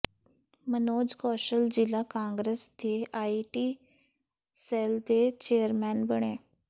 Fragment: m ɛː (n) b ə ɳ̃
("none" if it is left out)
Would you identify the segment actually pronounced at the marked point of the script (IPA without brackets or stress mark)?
n